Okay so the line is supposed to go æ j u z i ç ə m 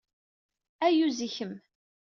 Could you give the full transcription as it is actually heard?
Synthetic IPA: æ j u z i ç ə m